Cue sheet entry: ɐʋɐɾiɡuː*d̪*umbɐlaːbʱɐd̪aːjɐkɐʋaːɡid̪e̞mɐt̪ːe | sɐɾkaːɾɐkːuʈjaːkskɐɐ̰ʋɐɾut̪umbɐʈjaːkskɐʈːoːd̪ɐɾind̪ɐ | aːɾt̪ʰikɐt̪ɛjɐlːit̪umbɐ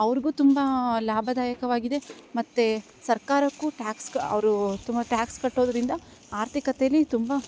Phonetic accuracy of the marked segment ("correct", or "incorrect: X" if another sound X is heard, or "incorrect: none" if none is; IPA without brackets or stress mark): incorrect: t̪